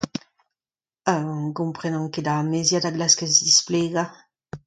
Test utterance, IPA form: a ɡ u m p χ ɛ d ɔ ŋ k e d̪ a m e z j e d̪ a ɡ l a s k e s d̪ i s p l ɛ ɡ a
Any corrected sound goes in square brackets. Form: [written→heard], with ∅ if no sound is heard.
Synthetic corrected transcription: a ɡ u m p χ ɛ [d→n] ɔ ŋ k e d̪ a m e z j [e→a] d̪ a ɡ l a s k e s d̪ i s p l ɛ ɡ a